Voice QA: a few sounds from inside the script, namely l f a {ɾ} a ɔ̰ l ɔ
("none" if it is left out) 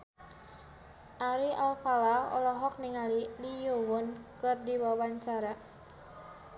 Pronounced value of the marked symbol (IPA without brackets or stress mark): l